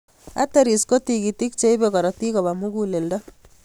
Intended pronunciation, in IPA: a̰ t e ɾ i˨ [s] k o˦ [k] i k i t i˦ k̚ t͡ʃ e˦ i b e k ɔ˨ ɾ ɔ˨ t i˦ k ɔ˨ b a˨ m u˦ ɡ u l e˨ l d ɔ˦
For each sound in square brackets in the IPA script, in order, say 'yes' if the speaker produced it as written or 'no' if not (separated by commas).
yes, no